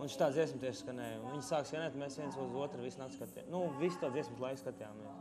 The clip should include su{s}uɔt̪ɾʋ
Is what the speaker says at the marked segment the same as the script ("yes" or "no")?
no